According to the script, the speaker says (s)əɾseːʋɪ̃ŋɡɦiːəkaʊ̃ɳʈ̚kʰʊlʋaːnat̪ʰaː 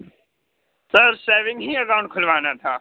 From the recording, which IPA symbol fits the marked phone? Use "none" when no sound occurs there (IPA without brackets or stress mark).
s